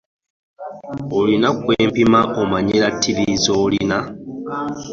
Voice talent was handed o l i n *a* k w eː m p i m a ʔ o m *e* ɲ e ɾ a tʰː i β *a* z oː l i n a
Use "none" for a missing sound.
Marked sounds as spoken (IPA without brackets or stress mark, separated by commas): a, a, i